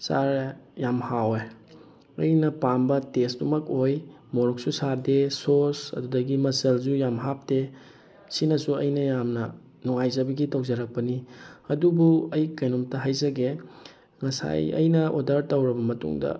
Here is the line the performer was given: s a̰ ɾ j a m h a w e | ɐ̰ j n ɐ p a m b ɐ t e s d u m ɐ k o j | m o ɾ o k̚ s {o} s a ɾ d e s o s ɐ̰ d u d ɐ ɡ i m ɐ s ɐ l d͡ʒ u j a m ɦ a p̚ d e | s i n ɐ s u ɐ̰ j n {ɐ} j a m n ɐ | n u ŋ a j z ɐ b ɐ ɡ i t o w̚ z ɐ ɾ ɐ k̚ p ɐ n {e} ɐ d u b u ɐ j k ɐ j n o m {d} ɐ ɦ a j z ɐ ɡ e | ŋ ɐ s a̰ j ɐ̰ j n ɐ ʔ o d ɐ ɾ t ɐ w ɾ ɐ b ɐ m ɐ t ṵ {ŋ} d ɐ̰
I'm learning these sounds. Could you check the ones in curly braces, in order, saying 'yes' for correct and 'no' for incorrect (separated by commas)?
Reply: no, yes, no, no, yes